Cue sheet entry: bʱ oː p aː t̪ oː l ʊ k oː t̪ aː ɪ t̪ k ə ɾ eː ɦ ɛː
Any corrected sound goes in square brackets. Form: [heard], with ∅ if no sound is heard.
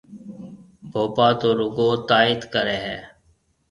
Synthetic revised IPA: bʱ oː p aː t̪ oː [ɾ] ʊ [ɡ] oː t̪ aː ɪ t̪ k ə ɾ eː ɦ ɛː